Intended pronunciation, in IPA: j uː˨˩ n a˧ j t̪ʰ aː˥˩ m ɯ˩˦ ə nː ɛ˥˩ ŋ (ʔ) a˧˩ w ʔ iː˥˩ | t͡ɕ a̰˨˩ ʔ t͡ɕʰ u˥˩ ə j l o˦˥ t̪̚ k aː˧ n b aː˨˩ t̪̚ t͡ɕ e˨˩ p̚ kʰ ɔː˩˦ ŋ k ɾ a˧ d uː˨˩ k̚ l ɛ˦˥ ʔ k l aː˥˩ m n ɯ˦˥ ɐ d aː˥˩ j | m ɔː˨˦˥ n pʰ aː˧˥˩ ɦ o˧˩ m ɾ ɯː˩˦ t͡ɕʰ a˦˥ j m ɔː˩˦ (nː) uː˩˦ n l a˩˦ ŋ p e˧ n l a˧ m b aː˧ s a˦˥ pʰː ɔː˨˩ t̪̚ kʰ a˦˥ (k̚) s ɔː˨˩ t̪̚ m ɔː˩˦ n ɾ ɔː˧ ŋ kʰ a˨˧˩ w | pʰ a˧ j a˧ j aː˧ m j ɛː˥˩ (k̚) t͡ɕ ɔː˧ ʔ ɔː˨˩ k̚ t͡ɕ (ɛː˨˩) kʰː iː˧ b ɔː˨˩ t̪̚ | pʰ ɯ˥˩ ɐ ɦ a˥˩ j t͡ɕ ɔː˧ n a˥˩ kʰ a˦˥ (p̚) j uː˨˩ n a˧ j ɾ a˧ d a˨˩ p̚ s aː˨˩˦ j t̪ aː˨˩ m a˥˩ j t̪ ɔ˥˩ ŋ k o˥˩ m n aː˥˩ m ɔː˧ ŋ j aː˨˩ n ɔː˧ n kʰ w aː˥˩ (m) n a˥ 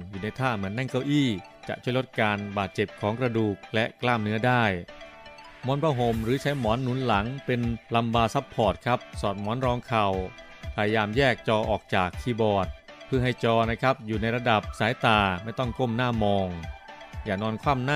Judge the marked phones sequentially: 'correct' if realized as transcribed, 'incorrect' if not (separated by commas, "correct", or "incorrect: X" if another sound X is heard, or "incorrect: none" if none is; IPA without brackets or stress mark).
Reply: incorrect: k, correct, incorrect: p̚, correct, incorrect: aː˨˩, correct, correct